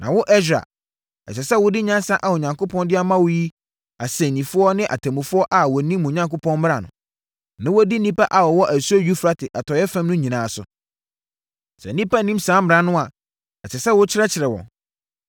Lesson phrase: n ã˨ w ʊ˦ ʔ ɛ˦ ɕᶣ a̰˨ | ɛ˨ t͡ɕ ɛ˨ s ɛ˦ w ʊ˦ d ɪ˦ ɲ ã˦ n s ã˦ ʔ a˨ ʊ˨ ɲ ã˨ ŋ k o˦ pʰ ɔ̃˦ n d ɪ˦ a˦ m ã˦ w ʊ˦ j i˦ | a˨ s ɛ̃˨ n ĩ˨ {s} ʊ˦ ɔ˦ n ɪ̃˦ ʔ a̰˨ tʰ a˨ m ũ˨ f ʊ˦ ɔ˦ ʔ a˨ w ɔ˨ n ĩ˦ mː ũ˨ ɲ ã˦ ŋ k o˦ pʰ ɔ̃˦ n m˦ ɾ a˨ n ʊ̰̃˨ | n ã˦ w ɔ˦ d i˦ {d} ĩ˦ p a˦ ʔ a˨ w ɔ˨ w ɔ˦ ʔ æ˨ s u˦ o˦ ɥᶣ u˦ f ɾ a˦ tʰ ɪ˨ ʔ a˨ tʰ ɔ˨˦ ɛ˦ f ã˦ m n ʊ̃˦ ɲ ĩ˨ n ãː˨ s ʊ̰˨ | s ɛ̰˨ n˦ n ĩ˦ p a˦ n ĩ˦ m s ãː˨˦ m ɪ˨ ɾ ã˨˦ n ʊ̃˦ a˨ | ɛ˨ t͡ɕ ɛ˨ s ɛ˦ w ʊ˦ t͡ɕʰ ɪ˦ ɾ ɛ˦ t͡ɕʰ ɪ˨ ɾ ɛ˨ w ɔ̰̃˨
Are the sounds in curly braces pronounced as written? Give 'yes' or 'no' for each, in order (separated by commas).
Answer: no, no